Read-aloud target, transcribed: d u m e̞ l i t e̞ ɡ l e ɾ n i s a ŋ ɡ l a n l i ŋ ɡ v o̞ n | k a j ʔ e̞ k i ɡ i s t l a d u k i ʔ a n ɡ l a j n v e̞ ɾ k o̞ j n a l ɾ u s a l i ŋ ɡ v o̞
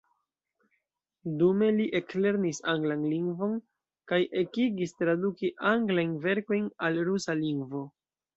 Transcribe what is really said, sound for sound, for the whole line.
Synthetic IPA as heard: d u m e̞ l i ʔ e̞ k l e ɾ n i s a ŋ ɡ l a n l i ŋ ɡ v o̞ n | k a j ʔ e̞ k i ɡ i s t ɾ a d u k i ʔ a ŋ ɡ l a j n v e̞ ɾ k o̞ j n a l ɾ u s a l i ŋ ɡ v o̞